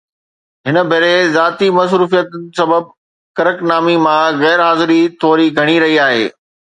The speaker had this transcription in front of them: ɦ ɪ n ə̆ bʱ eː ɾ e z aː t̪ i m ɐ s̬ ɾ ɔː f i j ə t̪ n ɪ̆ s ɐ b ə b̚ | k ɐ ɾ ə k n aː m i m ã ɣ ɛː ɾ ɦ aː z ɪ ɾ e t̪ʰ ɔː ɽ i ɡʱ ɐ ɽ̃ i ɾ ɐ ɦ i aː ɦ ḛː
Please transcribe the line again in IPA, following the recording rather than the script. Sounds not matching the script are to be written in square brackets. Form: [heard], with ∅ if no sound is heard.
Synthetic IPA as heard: ɦ ɪ n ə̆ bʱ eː ɾ e z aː t̪ i m ɐ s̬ ɾ [uː] f i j ə t̪ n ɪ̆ s ɐ b ə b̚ | k ɐ ɾ ə k n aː m i m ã ɣ ɛː ɾ ɦ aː z ɪ ɾ [i] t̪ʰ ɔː [ɾ] i ɡʱ ɐ ɽ̃ i ɾ ɐ ɦ i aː ɦ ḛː

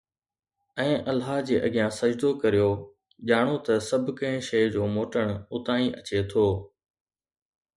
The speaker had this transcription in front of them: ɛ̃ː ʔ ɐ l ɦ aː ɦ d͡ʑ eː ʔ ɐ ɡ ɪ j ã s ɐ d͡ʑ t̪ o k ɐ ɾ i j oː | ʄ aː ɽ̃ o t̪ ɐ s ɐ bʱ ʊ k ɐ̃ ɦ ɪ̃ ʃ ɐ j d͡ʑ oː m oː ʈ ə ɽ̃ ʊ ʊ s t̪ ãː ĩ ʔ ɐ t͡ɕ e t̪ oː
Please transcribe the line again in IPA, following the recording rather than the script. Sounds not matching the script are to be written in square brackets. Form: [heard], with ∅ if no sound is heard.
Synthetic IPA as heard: ɛ̃ː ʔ ɐ l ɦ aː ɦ d͡ʑ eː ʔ ɐ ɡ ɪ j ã s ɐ d͡ʑ [d̪] o k ɐ ɾ i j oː | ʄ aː ɽ̃ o t̪ ɐ s ɐ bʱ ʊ k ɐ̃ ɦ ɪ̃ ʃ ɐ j d͡ʑ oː m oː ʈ ə ɽ̃ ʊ ʊ [∅] t̪ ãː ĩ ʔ ɐ t͡ɕ e [t̪ʰ] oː

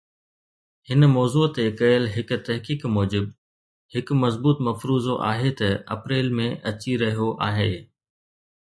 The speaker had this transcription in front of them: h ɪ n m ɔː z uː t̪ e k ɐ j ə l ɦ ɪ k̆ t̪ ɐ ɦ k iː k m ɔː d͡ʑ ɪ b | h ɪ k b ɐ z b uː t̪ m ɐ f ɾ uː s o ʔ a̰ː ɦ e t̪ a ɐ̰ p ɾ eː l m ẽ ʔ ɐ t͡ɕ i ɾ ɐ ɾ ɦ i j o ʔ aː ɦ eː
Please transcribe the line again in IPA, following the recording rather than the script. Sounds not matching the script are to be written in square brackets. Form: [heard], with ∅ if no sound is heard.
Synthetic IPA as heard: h ɪ n m ɔː z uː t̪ e k ɐ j ə l ɦ ɪ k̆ t̪ ɐ ɦ k iː k m ɔː d͡ʑ ɪ b | h ɪ k [m] ɐ z b uː t̪ m ɐ f ɾ uː [z] o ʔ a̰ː ɦ e t̪ [ɐ] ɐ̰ p ɾ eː l m ẽ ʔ ɐ t͡ɕ i ɾ ɐ [∅] ɦ i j o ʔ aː ɦ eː

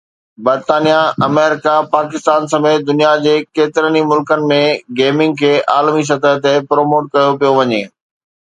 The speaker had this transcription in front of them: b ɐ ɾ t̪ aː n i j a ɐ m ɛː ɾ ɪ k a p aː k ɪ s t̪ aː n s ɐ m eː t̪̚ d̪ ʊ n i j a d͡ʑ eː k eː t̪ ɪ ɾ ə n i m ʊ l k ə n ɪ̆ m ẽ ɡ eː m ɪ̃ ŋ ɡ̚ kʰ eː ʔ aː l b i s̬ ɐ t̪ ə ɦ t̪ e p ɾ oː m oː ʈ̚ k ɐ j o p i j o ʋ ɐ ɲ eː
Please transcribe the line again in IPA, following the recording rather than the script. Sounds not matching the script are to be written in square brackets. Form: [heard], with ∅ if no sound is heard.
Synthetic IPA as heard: b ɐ ɾ t̪ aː n i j a ɐ m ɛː ɾ ɪ k a p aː k ɪ s t̪ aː n s ɐ m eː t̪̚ d̪ ʊ n i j a d͡ʑ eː k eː t̪ ɪ ɾ ə n i m ʊ l k ə n ɪ̆ m ẽ ɡ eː m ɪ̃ ŋ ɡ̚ kʰ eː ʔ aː l [m] i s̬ ɐ t̪ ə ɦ t̪ e p ɾ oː m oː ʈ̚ k ɐ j o p i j o ʋ ɐ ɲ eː

